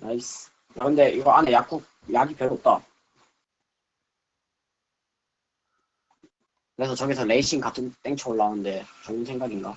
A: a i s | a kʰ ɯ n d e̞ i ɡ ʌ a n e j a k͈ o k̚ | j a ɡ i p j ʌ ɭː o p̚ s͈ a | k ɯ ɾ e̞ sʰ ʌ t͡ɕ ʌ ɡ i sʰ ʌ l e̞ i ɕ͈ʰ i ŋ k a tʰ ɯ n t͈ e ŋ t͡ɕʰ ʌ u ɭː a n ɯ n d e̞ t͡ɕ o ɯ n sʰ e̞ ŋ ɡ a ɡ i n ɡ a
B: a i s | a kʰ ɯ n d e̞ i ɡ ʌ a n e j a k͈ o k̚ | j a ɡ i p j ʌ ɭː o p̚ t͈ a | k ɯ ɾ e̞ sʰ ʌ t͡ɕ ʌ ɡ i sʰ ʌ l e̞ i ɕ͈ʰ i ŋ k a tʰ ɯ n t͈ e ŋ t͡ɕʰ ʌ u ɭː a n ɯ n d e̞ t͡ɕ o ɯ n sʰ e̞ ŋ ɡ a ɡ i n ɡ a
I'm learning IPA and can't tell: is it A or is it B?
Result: B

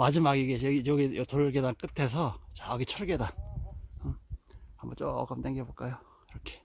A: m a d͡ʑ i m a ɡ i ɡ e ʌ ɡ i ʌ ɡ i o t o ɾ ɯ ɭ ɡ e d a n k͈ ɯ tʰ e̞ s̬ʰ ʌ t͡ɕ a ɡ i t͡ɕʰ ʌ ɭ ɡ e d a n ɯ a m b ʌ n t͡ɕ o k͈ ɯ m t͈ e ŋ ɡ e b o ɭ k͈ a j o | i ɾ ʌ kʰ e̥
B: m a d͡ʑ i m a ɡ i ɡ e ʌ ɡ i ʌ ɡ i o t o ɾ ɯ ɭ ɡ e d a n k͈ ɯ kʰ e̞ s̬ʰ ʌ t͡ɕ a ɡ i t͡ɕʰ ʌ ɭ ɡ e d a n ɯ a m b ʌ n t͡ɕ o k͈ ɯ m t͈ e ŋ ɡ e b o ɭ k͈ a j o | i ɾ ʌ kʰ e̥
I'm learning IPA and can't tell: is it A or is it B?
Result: A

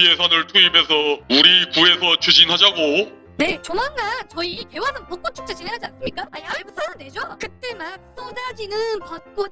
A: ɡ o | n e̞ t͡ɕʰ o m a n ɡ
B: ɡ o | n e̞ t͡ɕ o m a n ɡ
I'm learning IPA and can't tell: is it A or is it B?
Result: B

